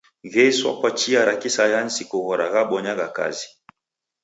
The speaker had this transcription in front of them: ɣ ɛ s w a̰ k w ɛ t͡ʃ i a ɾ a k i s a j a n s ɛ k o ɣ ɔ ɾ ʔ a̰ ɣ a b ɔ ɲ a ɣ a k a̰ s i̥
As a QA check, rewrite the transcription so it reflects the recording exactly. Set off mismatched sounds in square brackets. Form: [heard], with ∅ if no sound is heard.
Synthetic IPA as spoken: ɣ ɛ s w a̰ k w [a] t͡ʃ i a ɾ a k i s a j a n s [i] k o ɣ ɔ ɾ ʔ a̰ ɣ a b ɔ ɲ a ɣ a k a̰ [z] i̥